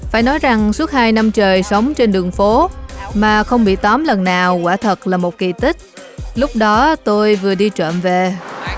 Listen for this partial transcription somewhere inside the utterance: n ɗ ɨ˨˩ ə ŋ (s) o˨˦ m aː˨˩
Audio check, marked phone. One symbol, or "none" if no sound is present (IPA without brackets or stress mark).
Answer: f